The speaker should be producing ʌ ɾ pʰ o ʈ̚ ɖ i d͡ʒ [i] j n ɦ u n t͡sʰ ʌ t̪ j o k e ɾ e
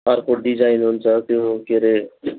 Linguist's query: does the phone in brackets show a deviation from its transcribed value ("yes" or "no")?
yes